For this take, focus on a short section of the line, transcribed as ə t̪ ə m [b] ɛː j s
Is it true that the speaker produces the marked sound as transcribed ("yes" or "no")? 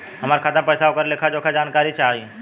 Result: no